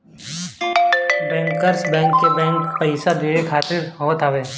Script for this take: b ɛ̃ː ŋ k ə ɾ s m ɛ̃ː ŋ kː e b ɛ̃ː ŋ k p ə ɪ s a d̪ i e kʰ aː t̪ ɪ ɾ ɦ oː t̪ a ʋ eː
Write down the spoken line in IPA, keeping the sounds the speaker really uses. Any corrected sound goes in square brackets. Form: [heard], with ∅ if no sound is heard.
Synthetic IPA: b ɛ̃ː ŋ k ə ɾ s [b] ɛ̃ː ŋ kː e b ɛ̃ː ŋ k p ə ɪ s a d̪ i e kʰ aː t̪ ɪ ɾ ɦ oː t̪ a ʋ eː